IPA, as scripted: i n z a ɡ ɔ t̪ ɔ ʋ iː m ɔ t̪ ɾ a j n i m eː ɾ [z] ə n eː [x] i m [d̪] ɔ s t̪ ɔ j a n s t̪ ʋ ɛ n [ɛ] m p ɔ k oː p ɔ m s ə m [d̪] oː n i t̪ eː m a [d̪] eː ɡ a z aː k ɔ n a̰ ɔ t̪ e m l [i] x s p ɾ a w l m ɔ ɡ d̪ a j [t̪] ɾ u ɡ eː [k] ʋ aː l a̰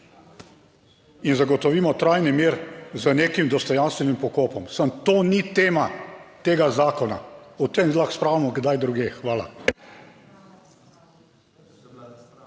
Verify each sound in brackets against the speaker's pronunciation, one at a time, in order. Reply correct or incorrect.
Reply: correct, incorrect: k, correct, incorrect: i, incorrect: t̪, incorrect: t̪, incorrect: a, incorrect: d̪, incorrect: x

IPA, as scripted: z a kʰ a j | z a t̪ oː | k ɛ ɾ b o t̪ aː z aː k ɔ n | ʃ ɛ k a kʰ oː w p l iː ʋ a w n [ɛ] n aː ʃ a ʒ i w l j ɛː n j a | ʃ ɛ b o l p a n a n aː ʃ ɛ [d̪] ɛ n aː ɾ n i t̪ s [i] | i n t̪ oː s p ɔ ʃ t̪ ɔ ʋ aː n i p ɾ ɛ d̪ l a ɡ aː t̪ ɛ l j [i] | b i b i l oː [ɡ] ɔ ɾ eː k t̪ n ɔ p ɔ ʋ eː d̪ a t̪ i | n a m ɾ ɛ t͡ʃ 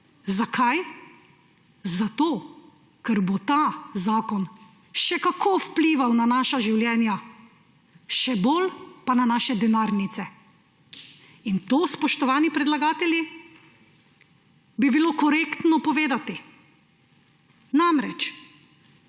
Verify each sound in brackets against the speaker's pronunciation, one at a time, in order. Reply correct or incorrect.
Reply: incorrect: a, correct, incorrect: ɛ, correct, incorrect: k

